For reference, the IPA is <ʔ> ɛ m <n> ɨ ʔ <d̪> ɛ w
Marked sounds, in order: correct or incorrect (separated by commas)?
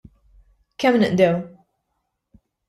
incorrect, correct, correct